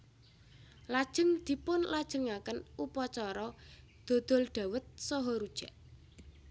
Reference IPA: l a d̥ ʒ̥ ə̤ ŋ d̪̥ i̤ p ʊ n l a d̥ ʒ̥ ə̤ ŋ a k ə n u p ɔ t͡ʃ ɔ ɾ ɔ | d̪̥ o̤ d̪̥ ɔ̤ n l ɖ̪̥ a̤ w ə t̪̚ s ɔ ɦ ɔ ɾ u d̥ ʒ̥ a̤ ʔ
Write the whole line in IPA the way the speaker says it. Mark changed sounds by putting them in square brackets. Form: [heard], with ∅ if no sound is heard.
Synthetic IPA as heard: l a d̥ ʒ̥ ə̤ ŋ d̪̥ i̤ p ʊ n l a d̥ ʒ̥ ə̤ ŋ a k ə n u p ɔ t͡ʃ ɔ ɾ ɔ | d̪̥ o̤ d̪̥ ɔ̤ [∅] l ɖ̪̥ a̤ w ə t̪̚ s ɔ ɦ ɔ ɾ u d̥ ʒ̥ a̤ ʔ